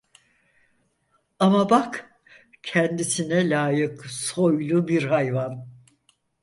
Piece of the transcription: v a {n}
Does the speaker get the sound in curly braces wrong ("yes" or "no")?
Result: no